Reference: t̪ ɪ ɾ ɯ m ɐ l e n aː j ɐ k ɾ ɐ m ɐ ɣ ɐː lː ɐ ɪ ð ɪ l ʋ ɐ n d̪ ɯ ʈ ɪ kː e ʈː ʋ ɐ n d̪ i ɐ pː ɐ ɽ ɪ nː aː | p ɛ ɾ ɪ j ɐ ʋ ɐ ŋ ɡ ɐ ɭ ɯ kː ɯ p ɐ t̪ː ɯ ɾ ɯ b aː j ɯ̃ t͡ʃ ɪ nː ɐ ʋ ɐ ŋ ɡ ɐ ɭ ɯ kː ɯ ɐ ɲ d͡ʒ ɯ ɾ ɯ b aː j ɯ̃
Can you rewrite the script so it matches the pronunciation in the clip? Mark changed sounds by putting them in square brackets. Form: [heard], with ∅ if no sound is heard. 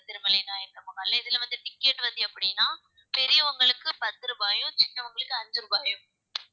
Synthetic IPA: t̪ ɪ ɾ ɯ m ɐ l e n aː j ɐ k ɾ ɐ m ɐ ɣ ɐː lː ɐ ɪ ð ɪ l ʋ ɐ n d̪ ɯ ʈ ɪ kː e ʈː ʋ ɐ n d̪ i ɐ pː ɐ ɽ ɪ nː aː | p ɛ ɾ ɪ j ɐ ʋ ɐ ŋ ɡ ɐ ɭ ɯ kː ɯ p ɐ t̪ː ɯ ɾ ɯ b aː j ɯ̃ t͡ʃ ɪ nː ɐ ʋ ɐ ŋ ɡ ɐ ɭ ɯ kː ɯ ɐ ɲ d͡ʒ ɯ ɾ ɯ b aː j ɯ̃